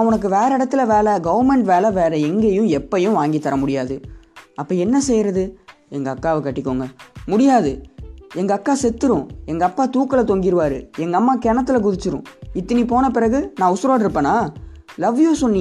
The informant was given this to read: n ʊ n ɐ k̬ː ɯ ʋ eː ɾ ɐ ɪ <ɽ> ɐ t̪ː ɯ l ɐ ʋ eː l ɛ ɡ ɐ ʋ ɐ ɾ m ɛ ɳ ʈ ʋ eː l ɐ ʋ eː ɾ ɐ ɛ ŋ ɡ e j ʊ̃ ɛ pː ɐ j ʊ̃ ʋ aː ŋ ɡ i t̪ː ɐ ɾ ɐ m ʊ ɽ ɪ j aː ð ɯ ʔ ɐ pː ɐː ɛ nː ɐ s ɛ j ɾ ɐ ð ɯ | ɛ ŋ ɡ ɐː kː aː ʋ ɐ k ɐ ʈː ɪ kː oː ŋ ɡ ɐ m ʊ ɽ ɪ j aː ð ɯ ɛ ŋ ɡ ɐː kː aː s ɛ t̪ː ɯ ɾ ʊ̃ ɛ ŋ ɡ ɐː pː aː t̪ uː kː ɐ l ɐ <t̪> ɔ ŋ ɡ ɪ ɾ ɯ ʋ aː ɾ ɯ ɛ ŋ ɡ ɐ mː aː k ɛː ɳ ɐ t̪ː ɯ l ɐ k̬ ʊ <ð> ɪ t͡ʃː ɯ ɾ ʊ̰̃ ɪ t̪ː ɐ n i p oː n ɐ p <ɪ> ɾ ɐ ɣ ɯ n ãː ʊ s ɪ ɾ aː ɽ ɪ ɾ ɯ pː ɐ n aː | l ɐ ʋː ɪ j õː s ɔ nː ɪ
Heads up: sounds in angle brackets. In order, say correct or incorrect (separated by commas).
correct, correct, correct, correct